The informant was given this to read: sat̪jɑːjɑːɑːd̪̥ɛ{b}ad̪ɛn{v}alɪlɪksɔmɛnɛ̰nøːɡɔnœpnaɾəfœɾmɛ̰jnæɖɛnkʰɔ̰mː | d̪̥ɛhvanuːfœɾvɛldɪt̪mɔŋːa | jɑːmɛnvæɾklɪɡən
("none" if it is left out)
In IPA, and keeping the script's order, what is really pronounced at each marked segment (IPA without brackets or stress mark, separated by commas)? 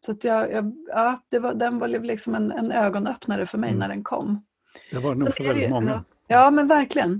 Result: v, v